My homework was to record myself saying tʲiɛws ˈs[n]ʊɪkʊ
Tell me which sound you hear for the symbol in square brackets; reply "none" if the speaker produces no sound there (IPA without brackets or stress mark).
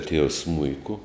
m